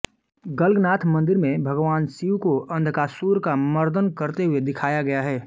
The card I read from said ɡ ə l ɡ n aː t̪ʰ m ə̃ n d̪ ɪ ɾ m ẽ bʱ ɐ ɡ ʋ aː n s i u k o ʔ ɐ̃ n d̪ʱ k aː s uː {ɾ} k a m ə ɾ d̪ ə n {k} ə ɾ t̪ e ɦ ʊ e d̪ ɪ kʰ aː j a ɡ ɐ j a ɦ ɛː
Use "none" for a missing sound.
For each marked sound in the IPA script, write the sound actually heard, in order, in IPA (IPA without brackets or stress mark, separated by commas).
ɾ, k